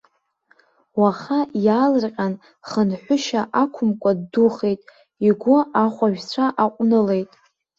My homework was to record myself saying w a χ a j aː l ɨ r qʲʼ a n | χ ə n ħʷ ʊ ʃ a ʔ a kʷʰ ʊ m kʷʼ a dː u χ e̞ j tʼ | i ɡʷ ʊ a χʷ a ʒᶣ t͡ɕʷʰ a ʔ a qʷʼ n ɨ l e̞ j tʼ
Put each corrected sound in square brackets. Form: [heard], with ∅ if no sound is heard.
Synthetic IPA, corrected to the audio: w a χ a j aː l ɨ r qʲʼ a n | χ ə n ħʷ ʊ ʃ a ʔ a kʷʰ ʊ m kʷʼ a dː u χ e̞ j tʼ | i ɡʷ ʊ a χʷ a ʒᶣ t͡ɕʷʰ a ʔ a qʷʼ n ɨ l e̞ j tʼ